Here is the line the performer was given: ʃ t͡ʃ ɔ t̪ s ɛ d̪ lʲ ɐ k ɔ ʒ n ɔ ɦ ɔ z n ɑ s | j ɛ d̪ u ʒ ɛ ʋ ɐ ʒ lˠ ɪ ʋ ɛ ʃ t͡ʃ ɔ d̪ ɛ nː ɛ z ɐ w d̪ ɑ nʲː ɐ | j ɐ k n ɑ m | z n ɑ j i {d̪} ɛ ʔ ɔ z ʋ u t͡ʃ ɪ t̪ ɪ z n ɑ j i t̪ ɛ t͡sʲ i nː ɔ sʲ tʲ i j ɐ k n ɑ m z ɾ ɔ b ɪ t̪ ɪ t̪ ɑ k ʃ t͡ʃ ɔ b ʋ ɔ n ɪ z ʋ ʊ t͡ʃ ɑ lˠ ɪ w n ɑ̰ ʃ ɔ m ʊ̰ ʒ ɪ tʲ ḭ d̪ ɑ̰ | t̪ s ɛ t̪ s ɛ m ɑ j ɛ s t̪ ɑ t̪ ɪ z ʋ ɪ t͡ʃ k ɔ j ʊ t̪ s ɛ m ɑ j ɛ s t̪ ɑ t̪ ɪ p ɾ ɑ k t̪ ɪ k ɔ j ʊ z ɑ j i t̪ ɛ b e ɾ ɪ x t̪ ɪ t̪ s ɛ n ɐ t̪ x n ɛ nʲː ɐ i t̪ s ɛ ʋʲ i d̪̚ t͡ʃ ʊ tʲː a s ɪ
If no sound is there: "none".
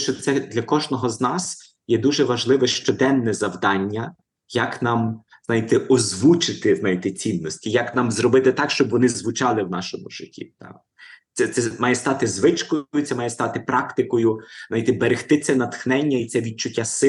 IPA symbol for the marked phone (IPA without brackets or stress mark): t̪